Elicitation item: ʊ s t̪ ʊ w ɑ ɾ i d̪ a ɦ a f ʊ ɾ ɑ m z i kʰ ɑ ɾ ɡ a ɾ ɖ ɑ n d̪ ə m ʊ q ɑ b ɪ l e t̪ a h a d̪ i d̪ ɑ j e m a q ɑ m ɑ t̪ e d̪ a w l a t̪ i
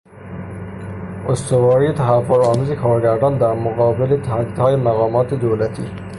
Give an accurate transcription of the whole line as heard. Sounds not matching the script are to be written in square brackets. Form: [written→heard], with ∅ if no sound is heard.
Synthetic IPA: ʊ s t̪ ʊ w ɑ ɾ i [d̪→t̪] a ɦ a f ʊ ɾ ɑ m z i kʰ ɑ ɾ ɡ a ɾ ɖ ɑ n d̪ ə m ʊ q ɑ b ɪ l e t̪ a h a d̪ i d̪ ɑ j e m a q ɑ m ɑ t̪ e d̪ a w l a t̪ i

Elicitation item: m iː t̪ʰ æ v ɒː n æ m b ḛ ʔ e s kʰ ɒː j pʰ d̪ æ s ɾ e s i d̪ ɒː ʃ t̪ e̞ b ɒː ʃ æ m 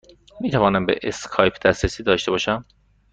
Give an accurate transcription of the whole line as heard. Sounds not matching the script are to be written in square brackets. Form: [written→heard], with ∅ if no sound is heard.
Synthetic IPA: m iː t̪ʰ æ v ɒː n æ m b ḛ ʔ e s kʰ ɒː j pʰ d̪ æ s ɾ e s [i→iː] d̪ ɒː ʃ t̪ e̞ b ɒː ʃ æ m

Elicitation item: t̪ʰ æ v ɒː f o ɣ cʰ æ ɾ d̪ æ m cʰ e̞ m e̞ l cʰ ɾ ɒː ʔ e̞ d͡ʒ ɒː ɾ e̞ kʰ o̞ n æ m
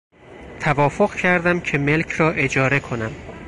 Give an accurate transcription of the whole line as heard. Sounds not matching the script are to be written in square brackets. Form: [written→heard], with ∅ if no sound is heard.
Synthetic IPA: t̪ʰ æ v ɒː f o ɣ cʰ æ ɾ d̪ æ m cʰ e̞ m e̞ l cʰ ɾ ɒː ʔ e̞ d͡ʒ ɒː ɾ e̞ kʰ o̞ n æ m

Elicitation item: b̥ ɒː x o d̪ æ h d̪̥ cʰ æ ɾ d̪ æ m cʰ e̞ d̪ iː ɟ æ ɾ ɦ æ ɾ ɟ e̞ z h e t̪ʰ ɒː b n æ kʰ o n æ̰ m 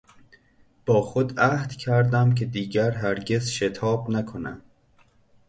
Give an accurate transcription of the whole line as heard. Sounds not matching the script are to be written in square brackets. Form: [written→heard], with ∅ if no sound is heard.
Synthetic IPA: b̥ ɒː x o d̪ æ h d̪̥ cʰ æ ɾ d̪ æ m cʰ e̞ d̪ iː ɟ æ ɾ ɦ æ ɾ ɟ e̞ z [h→ʃ] e t̪ʰ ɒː b n æ kʰ o n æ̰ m

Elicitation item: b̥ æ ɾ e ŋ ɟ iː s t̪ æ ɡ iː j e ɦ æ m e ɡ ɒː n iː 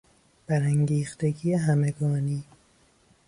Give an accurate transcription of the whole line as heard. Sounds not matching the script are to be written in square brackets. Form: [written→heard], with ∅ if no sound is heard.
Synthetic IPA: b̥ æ ɾ [e→æ] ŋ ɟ iː [s→x] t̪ [æ→e] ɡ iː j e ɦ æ m e ɡ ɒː n iː

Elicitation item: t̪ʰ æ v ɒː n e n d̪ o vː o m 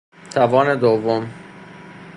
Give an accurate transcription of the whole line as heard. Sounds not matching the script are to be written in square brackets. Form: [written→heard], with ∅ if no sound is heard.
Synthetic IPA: t̪ʰ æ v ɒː n e [n→∅] d̪ o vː o m

